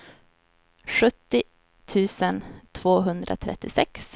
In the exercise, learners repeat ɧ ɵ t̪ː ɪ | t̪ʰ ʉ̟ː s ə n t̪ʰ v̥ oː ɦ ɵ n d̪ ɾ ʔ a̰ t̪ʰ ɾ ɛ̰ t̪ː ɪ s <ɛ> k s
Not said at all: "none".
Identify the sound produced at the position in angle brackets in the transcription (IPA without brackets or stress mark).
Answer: ɛ